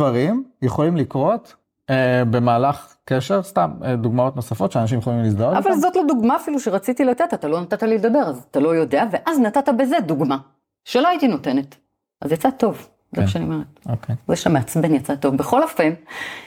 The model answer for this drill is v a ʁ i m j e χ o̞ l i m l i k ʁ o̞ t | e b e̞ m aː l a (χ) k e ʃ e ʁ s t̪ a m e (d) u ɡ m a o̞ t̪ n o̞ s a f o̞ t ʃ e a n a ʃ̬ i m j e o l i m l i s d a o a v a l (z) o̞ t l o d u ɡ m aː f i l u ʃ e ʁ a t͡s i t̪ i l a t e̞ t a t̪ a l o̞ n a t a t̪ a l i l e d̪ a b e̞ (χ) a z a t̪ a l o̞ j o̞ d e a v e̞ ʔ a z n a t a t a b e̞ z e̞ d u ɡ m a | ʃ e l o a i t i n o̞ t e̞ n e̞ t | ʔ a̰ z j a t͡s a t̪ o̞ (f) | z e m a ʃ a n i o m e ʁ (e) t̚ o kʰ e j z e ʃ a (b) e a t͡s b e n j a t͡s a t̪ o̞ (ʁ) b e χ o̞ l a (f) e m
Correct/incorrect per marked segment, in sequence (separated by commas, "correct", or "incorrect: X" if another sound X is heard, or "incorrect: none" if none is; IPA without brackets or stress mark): correct, correct, correct, incorrect: ʁ, incorrect: v, correct, incorrect: m, incorrect: v, correct